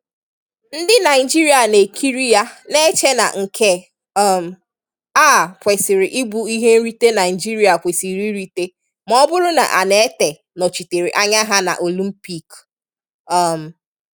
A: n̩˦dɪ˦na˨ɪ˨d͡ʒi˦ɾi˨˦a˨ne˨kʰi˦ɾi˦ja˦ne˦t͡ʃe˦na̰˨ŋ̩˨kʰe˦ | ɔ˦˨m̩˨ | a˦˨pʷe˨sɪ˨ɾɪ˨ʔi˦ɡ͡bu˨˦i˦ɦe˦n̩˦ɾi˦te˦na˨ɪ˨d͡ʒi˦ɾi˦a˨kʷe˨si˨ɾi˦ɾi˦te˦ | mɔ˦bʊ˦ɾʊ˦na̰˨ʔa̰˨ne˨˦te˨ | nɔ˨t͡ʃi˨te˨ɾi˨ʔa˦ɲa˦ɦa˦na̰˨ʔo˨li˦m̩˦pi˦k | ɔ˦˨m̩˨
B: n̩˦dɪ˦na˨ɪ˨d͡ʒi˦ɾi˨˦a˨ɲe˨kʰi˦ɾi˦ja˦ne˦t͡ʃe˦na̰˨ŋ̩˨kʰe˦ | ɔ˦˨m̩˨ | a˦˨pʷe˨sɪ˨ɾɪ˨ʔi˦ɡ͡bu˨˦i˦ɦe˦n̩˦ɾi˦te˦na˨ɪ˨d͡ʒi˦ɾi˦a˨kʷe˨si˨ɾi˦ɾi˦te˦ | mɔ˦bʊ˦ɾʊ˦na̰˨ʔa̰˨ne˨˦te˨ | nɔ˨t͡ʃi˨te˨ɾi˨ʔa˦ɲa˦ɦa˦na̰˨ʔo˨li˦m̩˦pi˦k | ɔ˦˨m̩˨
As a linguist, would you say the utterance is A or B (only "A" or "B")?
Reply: A